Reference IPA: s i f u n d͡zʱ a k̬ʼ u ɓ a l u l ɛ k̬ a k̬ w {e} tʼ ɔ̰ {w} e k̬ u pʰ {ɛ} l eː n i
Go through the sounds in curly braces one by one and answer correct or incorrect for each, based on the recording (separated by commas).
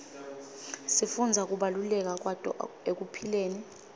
incorrect, incorrect, incorrect